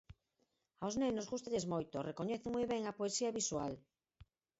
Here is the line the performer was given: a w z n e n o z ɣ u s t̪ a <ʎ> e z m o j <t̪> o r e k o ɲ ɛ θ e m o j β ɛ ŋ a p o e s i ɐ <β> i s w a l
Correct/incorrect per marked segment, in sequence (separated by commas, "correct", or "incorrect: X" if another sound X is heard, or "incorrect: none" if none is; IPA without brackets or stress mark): correct, correct, correct